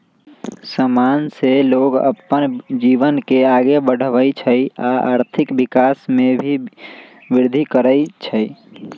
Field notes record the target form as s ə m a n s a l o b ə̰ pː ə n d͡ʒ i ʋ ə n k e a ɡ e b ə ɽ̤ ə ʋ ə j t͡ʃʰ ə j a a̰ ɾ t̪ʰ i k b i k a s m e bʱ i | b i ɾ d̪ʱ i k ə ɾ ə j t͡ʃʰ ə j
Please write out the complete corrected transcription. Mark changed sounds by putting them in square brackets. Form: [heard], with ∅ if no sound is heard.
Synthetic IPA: s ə m a n s [e] l o [ɡ] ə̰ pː ə n d͡ʒ i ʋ ə n k e a ɡ e b ə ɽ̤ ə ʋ ə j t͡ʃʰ ə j a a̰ ɾ t̪ʰ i k b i k a s m e bʱ i | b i ɾ d̪ʱ i k ə ɾ ə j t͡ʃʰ ə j